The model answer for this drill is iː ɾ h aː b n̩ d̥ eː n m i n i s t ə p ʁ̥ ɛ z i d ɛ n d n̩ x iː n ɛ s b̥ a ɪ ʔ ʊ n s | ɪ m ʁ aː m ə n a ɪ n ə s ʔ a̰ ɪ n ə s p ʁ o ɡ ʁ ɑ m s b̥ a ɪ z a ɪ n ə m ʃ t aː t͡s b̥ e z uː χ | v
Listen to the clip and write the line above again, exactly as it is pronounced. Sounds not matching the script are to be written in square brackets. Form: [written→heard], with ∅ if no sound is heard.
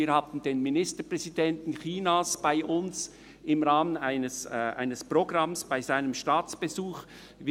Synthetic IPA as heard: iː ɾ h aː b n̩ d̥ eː n m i n [i→ɪ] s t ə p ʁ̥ ɛ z i d ɛ n [d→t] n̩ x iː n [ɛ→a] s b̥ a ɪ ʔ ʊ n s | ɪ m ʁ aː m ə n a ɪ n ə s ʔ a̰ ɪ n ə s p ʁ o ɡ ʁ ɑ m s b̥ a ɪ z a ɪ n ə m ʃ t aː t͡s b̥ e z uː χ | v